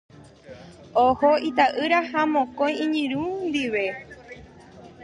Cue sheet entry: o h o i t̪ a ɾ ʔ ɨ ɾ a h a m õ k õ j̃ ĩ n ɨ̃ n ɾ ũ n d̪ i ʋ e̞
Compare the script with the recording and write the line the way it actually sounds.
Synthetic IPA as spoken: o h o i t̪ a ʔ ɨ ɾ a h a m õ k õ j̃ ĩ ɲ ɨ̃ ɾ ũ n d̪ i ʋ e̞